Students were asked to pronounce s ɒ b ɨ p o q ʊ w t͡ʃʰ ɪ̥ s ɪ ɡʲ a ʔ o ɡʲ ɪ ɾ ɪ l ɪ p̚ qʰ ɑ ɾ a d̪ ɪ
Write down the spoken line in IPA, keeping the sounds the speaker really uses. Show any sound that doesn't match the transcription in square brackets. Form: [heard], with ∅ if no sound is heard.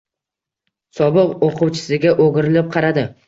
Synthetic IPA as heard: s ɒ b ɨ [q] o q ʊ w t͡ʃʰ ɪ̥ s ɪ ɡʲ a ʔ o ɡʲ ɪ ɾ ɪ l ɪ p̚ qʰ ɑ ɾ a d̪ ɪ

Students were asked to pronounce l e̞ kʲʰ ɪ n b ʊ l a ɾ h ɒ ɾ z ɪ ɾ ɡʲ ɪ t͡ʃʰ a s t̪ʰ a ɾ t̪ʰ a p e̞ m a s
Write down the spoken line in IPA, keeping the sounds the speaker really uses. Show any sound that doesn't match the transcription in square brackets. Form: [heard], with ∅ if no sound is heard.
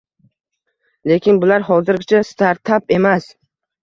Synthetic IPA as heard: l e̞ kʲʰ ɪ n b ʊ l a ɾ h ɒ [∅] z ɪ ɾ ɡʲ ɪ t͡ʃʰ a s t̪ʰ a ɾ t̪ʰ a p e̞ m a s

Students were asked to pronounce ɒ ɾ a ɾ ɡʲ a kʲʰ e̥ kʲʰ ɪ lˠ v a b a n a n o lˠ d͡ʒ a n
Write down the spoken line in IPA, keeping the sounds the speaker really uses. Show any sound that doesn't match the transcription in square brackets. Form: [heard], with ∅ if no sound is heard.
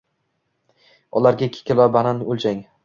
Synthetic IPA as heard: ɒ [l] a ɾ ɡʲ a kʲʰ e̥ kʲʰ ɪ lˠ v a b a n a n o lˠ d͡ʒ a [ŋ]

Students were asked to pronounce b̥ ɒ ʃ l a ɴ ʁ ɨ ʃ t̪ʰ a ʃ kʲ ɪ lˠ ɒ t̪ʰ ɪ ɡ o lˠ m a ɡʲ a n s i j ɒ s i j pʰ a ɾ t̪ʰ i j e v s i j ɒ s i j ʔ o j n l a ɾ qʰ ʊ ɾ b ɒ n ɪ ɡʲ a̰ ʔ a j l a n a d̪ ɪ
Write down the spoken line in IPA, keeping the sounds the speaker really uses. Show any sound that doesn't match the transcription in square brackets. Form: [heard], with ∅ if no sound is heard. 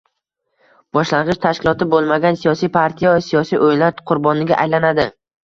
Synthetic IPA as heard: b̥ ɒ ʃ l a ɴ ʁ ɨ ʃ t̪ʰ a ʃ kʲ ɪ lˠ ɒ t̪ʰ ɪ [b] o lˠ m a ɡʲ a n s i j ɒ s i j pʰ a ɾ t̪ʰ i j [a] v s i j ɒ s i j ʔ o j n l a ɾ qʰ ʊ ɾ b ɒ n ɪ ɡʲ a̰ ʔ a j l a n a d̪ ɪ

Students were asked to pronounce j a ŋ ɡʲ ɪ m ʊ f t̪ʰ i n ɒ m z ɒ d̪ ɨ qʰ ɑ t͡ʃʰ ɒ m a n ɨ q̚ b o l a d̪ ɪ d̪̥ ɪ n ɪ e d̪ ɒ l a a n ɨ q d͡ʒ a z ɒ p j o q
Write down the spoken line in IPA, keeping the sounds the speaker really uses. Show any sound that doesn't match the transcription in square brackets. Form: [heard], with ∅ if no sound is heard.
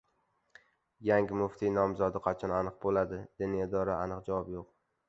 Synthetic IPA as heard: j a ŋ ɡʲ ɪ m ʊ f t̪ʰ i n ɒ m z ɒ d̪ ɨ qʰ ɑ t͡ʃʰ ɒ [n] a n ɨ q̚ b o l a d̪ ɪ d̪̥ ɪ n ɪ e d̪ ɒ [ɾ] a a n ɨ q d͡ʒ a [v] ɒ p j o q

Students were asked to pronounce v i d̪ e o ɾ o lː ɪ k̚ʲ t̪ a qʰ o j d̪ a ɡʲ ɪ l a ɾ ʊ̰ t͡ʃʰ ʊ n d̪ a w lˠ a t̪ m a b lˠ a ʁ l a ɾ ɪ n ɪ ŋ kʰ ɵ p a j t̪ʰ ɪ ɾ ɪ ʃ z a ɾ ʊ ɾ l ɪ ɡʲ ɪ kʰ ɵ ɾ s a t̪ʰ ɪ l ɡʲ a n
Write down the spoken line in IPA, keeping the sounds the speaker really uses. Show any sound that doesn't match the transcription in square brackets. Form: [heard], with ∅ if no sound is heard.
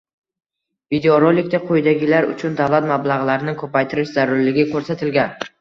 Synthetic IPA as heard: v i d̪ e o ɾ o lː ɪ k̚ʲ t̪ a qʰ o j d̪ a ɡʲ ɪ l a ɾ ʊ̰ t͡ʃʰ ʊ n d̪ a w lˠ a t̪ m a b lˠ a ʁ l a ɾ ɪ n ɪ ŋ kʰ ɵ p a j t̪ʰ ɪ ɾ ɪ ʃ z a ɾ ʊ ɾ l ɪ ɡʲ ɪ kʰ ɵ ɾ s a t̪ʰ ɪ l ɡʲ a n

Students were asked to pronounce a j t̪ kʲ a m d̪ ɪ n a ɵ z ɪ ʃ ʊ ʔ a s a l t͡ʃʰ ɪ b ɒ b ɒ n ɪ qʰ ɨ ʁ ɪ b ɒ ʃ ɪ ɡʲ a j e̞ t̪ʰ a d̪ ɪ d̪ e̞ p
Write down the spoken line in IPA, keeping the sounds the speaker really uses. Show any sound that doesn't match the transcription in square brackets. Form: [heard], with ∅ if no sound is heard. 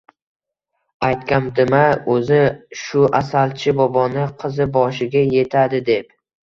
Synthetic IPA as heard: a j t̪ kʲ a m d̪ ɪ [m] a ɵ z ɪ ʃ ʊ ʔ a s a l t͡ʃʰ ɪ b ɒ b ɒ n ɪ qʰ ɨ [z] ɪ b ɒ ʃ ɪ ɡʲ a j e̞ t̪ʰ a d̪ ɪ d̪ e̞ p

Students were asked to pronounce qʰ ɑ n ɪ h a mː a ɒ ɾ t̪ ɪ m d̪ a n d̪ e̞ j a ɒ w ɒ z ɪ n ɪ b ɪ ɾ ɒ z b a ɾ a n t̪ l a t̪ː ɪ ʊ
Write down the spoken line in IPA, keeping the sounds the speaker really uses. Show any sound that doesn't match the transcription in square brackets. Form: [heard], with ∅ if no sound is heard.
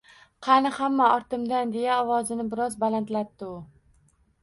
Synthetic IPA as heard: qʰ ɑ n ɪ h a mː a ɒ ɾ t̪ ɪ m d̪ a n d̪ e̞ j a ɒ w ɒ z ɪ n ɪ b ɪ ɾ ɒ z b a [l] a n t̪ l a t̪ː ɪ ʊ

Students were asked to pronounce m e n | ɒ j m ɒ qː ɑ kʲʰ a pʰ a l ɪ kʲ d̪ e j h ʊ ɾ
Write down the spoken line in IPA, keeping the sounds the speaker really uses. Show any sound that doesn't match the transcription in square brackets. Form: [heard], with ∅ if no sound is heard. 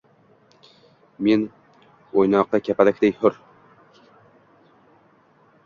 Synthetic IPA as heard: m e n | [o] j [n] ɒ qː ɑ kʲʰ a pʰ a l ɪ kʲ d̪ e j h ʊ ɾ

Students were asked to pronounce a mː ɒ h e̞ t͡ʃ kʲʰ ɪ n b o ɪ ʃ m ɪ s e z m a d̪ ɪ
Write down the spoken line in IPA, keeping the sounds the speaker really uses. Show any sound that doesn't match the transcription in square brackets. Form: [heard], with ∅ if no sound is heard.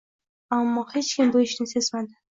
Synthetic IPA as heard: a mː ɒ h e̞ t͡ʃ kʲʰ ɪ [m] b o ɪ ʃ [n] ɪ s e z m a d̪ ɪ

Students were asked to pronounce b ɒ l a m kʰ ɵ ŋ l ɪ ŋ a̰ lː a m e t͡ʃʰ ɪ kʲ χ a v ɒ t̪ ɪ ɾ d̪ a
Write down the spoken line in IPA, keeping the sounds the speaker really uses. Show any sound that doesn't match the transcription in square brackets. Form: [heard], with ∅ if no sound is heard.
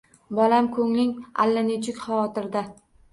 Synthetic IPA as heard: b ɒ l a m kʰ ɵ ŋ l ɪ ŋ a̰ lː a [n] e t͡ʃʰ ɪ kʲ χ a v ɒ t̪ ɪ ɾ d̪ a

